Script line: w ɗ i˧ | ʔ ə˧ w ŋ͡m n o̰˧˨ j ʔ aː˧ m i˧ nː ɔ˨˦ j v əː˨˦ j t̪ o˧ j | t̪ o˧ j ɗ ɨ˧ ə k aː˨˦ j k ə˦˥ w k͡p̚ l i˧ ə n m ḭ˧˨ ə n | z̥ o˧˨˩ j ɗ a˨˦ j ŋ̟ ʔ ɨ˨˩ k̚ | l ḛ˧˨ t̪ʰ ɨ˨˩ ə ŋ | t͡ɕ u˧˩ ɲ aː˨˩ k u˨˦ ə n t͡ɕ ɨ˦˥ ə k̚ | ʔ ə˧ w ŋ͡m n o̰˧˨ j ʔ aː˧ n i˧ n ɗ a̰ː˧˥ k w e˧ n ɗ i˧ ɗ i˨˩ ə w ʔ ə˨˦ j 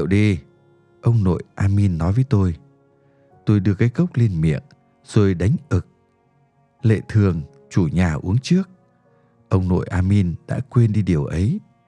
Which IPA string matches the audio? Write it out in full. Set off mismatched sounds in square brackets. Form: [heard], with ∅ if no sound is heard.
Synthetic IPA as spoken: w ɗ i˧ | ʔ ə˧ w ŋ͡m n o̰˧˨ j ʔ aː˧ m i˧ nː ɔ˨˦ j v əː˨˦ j t̪ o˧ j | t̪ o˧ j ɗ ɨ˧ ə k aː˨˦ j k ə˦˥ w k͡p̚ l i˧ ə n m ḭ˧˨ ə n | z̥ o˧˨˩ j ɗ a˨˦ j ŋ̟ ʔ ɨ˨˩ k̚ | l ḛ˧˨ t̪ʰ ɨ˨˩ ə ŋ | t͡ɕ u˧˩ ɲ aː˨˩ [ʔ] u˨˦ ə [ŋ] t͡ɕ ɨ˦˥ ə k̚ | ʔ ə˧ w ŋ͡m n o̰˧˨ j ʔ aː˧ [m] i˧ n ɗ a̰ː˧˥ k w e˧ n ɗ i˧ ɗ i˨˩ ə w ʔ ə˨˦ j